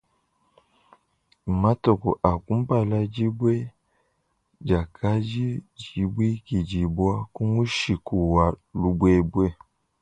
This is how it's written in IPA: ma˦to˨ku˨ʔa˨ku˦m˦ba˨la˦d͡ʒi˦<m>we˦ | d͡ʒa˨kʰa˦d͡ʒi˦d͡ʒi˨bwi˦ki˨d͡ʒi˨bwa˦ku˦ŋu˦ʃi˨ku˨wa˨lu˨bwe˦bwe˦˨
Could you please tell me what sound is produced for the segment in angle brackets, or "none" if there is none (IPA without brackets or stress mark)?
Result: b